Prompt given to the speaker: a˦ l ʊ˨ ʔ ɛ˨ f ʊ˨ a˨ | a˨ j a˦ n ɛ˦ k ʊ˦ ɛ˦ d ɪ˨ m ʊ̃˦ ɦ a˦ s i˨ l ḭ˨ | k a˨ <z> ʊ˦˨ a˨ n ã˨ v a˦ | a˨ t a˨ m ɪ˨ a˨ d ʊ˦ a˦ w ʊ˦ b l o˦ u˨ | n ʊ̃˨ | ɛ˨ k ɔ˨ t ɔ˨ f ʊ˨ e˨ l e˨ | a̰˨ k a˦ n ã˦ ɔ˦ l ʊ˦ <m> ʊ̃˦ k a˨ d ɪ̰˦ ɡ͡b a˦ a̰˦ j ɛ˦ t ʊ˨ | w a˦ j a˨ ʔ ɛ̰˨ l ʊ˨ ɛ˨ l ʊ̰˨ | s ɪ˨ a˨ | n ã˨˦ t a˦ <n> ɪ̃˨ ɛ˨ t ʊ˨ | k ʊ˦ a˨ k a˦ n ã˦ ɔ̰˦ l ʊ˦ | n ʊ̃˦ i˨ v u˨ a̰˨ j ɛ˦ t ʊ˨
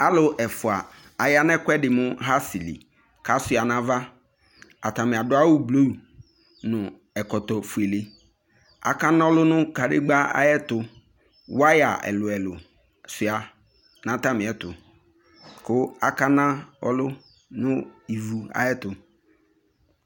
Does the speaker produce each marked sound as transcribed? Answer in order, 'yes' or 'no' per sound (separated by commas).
no, no, no